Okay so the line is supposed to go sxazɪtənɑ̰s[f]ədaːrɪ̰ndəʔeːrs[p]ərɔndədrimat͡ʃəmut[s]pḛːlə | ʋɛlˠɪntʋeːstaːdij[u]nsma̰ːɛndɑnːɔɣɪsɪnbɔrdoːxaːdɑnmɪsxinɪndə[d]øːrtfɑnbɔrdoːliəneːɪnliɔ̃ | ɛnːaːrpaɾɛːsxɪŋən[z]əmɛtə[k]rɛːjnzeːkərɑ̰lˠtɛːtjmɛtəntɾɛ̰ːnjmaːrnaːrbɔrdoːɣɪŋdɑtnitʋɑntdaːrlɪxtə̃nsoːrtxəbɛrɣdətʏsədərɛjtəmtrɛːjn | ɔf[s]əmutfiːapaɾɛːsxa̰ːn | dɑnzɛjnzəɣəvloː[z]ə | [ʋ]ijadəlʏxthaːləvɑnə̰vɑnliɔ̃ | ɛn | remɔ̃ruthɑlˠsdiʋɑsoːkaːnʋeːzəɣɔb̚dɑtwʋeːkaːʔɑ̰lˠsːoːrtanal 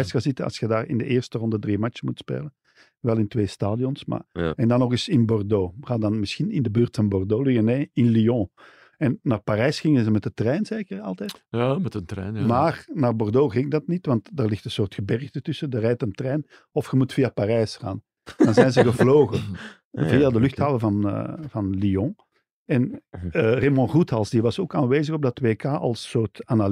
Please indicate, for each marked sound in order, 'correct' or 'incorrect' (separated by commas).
incorrect, incorrect, correct, incorrect, incorrect, correct, incorrect, incorrect, incorrect, incorrect